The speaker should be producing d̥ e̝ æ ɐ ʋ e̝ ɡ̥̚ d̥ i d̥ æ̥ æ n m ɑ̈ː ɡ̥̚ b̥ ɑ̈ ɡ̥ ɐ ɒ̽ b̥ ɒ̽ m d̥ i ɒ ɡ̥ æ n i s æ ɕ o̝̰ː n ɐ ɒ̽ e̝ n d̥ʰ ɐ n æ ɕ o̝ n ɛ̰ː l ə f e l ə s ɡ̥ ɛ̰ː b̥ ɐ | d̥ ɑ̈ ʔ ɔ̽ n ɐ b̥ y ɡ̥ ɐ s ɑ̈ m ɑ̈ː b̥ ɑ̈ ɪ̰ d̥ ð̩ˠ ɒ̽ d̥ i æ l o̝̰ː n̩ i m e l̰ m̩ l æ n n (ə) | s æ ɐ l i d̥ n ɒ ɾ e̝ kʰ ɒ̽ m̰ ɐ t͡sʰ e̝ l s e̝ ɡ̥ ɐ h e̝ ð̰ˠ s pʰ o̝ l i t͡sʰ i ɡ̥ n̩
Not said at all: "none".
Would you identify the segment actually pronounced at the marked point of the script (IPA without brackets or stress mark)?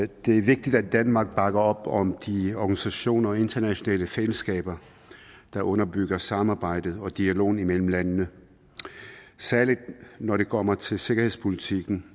ə